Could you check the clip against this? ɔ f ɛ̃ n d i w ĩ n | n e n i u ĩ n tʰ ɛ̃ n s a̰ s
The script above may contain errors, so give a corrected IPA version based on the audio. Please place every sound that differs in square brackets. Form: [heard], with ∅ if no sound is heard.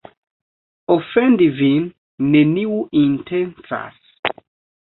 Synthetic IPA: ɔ f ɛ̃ n d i [v] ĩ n | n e n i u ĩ n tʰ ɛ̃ n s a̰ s